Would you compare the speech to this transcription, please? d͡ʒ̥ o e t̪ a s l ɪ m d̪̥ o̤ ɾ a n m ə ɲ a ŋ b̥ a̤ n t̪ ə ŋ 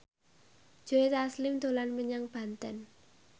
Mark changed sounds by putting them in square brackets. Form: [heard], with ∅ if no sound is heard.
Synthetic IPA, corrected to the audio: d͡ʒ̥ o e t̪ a s l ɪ m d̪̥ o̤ [l] a n m ə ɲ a ŋ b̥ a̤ n t̪ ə [n]